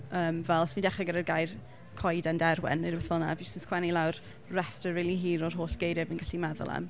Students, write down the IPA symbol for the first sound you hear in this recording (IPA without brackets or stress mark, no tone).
əː